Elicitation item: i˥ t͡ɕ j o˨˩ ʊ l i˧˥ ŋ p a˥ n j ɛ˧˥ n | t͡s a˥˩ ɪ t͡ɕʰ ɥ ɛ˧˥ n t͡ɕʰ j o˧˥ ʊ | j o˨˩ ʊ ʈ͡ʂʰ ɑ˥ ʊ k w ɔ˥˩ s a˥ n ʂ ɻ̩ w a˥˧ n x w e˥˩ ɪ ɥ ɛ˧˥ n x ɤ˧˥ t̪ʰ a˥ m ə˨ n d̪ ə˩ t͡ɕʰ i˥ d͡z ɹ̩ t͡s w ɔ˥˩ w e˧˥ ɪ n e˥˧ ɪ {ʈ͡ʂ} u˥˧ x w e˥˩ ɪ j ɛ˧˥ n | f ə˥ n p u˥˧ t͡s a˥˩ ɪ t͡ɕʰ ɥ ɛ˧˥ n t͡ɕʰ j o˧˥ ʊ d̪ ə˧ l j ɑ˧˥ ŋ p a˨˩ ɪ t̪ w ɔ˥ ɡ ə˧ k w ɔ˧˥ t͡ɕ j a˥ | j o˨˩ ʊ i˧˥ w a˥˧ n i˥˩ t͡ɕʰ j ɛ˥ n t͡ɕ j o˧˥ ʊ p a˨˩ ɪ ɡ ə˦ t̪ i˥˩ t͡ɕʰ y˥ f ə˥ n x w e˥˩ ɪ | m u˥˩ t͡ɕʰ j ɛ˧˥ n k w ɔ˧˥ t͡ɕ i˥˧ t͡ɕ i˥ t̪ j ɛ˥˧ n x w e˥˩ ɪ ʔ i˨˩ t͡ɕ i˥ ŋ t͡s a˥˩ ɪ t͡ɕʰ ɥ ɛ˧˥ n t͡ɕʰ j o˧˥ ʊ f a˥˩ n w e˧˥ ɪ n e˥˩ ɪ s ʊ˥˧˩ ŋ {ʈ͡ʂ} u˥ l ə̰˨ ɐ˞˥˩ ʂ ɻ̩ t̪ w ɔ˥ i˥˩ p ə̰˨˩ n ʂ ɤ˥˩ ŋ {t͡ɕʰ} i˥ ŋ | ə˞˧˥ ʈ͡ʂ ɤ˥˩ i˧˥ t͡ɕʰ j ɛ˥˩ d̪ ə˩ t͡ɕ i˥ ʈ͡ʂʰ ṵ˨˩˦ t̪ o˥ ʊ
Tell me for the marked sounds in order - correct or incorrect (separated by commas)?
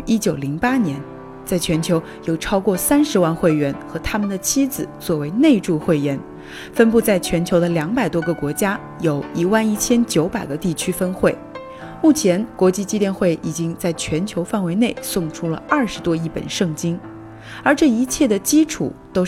correct, incorrect, incorrect